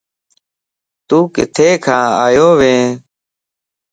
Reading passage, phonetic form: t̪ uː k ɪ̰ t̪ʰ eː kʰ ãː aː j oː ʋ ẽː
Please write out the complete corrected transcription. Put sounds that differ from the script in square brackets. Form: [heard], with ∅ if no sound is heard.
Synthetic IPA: t̪ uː k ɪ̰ t̪ʰ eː kʰ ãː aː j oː ʋ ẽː